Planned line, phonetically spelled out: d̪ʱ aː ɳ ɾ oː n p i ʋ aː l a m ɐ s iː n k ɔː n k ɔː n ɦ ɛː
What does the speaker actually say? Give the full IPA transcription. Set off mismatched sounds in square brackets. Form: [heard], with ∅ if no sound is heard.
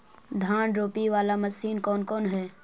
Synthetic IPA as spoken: d̪ʱ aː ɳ ɾ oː [∅] p i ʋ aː l a m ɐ s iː n k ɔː n k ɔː n ɦ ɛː